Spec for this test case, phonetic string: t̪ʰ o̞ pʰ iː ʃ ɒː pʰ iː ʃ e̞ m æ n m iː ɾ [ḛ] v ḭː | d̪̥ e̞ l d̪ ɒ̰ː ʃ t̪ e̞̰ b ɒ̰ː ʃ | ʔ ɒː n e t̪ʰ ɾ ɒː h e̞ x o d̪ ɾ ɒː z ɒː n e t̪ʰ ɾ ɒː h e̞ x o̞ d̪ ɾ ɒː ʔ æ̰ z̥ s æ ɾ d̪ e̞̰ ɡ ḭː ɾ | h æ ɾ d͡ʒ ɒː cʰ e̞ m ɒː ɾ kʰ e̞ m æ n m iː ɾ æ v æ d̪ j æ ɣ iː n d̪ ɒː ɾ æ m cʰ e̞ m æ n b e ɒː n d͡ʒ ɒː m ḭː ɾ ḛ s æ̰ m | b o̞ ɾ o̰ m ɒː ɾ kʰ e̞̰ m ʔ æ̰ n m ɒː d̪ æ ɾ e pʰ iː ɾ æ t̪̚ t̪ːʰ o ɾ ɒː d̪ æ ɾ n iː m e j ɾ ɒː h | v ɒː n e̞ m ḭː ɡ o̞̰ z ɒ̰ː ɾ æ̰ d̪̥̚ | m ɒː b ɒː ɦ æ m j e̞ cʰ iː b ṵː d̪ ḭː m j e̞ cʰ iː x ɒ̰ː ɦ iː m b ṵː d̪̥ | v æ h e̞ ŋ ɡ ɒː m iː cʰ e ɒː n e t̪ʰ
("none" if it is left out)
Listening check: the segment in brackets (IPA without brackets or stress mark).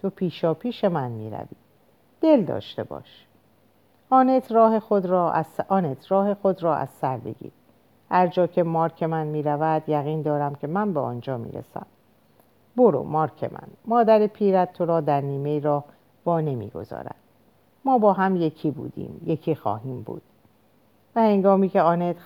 æ̰